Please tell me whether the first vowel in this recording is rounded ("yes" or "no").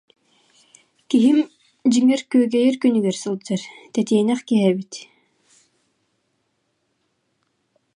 no